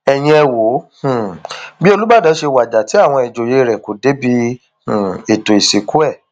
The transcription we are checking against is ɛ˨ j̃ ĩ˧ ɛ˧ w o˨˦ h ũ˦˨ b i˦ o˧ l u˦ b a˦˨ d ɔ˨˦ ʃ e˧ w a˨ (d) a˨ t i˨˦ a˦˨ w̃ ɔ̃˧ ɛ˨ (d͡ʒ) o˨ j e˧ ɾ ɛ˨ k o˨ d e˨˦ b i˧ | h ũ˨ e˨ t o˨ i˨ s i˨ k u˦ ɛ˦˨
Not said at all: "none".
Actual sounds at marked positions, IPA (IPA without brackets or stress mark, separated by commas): d͡ʒ, d͡ʒ